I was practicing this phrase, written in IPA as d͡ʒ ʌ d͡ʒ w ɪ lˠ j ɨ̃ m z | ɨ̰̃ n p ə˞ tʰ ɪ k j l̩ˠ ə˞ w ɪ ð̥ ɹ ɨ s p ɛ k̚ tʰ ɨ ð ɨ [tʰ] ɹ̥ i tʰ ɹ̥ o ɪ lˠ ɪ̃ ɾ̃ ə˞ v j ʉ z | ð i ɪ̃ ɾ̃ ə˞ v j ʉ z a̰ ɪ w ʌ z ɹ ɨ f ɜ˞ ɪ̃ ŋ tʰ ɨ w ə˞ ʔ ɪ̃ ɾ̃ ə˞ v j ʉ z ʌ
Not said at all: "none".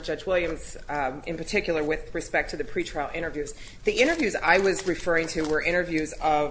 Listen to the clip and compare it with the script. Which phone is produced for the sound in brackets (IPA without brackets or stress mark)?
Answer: pʰ